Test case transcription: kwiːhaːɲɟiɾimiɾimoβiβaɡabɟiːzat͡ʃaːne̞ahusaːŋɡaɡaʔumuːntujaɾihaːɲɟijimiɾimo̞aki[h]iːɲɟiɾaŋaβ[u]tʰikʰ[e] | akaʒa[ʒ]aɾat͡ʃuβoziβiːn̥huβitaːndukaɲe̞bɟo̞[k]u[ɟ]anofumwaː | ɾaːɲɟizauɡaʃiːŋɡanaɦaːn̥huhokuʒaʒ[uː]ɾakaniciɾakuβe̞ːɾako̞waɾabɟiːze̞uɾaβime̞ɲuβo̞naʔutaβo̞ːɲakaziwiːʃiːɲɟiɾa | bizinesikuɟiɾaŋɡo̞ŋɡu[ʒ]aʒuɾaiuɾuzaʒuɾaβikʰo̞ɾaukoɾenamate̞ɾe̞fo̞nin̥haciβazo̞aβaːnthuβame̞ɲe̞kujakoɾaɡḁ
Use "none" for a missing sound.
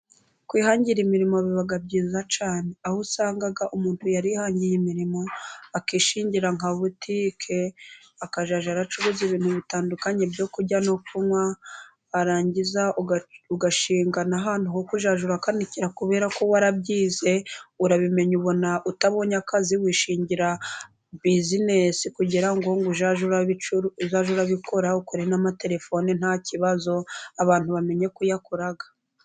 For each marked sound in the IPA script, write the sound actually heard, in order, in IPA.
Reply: ʃ, u, e, ʒ, k, ɟ, u, ʒ

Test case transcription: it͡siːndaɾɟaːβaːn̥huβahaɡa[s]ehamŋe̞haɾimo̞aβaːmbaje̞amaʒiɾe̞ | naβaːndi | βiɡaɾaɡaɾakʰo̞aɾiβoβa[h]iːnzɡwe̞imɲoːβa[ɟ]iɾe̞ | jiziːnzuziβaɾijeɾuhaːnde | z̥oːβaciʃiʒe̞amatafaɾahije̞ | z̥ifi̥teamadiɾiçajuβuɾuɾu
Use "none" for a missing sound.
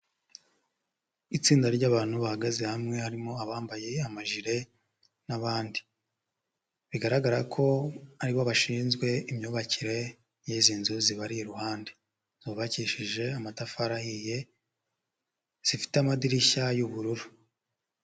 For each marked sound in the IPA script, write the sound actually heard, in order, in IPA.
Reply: z, ʃ, c

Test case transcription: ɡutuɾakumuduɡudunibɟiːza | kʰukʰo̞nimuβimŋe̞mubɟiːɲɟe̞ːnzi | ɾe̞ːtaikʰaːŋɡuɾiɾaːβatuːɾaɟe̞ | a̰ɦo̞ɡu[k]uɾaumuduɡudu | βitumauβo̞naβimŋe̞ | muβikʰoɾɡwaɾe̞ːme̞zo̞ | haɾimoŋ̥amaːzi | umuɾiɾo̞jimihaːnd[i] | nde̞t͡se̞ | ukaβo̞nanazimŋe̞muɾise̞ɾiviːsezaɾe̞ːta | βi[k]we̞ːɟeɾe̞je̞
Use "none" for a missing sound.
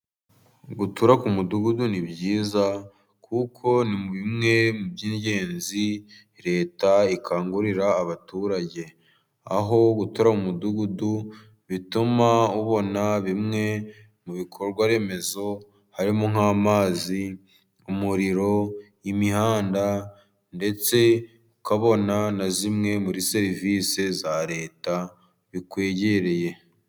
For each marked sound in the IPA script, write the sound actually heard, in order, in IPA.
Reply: t, a, k

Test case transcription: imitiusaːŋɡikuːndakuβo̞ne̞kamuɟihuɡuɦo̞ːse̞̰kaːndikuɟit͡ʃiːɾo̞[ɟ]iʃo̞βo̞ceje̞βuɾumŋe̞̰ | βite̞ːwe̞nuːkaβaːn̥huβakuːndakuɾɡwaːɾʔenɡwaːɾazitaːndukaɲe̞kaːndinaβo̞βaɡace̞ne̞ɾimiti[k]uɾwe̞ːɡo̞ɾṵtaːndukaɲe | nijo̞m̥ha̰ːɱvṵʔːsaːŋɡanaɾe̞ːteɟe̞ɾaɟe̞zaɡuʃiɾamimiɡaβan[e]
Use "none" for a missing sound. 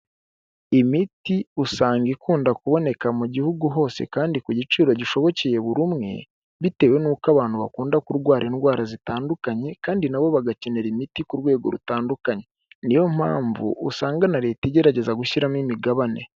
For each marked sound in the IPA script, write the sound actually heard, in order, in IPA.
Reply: ɟ, k, e

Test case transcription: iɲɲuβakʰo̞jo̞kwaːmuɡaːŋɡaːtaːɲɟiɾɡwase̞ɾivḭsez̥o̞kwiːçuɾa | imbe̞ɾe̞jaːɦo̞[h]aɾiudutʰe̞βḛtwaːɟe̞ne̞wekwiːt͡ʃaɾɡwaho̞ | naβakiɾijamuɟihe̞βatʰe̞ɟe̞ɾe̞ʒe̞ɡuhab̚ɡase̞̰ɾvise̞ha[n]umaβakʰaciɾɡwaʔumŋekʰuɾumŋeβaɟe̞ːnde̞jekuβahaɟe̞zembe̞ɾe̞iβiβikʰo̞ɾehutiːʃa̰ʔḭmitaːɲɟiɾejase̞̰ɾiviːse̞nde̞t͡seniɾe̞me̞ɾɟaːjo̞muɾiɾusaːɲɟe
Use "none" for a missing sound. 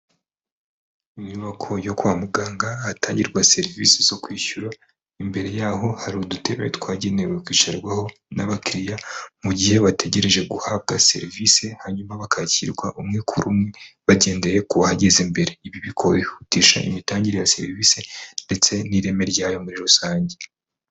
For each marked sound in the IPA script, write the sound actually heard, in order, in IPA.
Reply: h, ɲ

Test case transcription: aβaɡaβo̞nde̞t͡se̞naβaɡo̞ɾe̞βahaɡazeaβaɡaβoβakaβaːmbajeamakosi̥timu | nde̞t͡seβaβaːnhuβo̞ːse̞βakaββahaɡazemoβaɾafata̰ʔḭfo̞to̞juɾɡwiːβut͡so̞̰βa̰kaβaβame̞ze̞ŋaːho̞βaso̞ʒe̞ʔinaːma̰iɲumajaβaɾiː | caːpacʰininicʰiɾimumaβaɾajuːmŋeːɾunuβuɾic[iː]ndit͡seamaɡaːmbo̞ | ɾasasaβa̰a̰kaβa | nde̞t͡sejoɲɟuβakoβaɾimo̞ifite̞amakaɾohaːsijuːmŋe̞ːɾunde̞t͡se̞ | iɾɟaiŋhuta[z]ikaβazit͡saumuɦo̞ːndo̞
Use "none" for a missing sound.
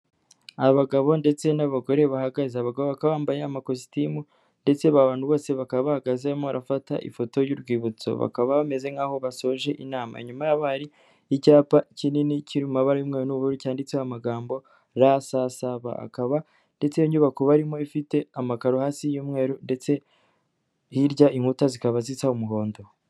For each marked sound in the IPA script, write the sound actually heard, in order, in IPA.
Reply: aː, z

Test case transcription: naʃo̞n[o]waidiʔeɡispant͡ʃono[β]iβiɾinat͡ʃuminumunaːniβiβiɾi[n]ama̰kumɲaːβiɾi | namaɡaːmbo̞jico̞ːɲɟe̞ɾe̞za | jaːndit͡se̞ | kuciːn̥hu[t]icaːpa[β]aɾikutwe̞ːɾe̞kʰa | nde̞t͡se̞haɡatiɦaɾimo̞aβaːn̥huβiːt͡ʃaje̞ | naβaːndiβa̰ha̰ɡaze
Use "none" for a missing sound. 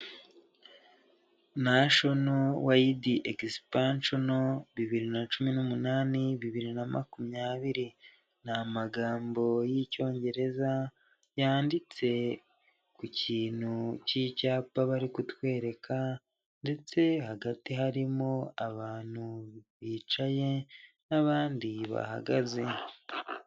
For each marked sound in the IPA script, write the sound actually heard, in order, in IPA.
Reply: o, β, n, c, β

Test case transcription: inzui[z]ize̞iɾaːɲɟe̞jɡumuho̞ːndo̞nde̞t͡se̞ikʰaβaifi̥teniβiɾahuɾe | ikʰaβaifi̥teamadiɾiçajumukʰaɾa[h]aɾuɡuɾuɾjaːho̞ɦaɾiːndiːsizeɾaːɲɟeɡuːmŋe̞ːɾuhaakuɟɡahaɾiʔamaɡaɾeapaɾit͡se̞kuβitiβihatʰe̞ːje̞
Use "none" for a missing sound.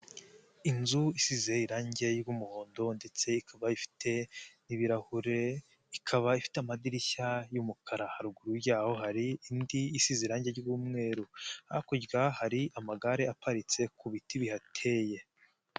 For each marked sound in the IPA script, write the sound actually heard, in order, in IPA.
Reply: s, h

